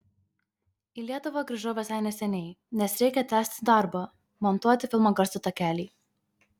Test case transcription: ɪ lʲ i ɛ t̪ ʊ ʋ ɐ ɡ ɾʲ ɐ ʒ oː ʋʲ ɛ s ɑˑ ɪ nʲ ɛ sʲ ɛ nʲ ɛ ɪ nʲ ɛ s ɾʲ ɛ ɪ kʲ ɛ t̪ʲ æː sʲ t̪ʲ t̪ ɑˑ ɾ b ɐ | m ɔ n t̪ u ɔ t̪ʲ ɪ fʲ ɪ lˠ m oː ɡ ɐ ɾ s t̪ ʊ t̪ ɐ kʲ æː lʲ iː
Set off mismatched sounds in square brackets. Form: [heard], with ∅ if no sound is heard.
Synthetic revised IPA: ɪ lʲ i ɛ t̪ ʊ ʋ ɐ ɡ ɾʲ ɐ ʒ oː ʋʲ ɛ s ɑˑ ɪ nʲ ɛ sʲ ɛ nʲ ɛ ɪ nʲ ɛ s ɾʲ ɛ ɪ kʲ ɛ t̪ʲ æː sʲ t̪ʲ [d̪] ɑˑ ɾ b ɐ | m ɔ n t̪ u ɔ t̪ʲ ɪ fʲ ɪ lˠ m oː ɡ ɐ ɾ s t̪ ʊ t̪ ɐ kʲ æː lʲ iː